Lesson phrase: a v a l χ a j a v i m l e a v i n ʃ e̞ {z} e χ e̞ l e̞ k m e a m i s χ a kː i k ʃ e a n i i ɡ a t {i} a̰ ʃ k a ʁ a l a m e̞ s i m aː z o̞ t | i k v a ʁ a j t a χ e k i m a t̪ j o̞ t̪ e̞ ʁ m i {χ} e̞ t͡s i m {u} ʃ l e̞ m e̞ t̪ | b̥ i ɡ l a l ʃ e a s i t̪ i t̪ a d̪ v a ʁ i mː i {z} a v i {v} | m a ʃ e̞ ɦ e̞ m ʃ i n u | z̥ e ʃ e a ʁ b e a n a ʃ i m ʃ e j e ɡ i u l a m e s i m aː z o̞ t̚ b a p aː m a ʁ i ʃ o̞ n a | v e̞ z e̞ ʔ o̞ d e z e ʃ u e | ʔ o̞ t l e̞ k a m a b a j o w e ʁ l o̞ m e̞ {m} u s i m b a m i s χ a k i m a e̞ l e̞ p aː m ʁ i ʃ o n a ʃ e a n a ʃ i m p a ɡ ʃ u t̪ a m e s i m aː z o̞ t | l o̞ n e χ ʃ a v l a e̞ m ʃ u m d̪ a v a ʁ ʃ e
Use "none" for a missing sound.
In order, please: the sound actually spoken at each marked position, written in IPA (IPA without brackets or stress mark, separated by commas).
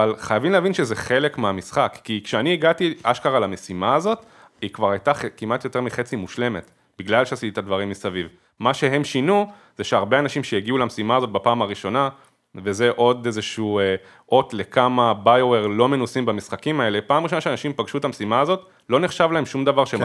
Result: z, i, χ, u, s, v, n